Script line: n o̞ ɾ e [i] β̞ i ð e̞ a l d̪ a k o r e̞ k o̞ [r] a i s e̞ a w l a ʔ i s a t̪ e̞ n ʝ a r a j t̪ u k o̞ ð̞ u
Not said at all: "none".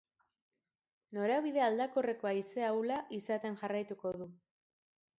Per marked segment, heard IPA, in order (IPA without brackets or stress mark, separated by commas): a, none